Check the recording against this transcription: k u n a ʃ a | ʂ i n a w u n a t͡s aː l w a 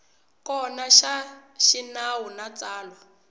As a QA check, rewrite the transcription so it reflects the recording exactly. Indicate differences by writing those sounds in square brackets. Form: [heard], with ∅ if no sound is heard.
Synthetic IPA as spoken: k [ɔ] n a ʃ a | [ʃ] i n a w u n a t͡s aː l w a